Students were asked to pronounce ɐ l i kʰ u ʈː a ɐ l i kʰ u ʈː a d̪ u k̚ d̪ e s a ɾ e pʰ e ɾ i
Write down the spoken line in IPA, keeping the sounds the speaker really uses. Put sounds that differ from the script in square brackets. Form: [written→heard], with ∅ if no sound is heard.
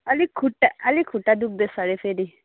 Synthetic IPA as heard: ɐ l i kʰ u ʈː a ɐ l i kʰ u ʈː a d̪ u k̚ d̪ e s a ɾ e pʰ e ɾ i